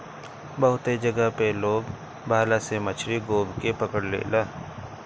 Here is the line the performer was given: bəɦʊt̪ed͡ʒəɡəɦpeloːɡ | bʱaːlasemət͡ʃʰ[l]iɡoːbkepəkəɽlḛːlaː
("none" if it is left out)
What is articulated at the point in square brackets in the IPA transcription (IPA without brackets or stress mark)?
ɾ